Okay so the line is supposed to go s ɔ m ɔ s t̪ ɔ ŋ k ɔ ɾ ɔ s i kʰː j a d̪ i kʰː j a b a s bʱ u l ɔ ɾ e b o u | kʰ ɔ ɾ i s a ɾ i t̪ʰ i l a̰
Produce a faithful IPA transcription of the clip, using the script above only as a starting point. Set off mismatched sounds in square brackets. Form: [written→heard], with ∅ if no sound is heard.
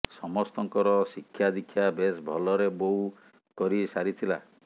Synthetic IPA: s ɔ m ɔ s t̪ ɔ ŋ k ɔ ɾ ɔ s i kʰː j a d̪ i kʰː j a b [a→e] s bʱ [u→ɔ] l ɔ ɾ e b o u | [kʰ→k] ɔ ɾ i s a ɾ i t̪ʰ i l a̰